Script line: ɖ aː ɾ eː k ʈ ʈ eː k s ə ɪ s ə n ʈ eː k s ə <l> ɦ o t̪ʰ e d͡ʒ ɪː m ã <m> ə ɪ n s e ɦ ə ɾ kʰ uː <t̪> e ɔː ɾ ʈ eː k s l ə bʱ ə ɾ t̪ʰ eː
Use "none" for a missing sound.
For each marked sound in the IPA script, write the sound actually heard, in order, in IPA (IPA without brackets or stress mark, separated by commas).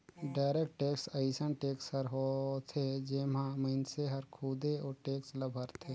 ɾ, m, d̪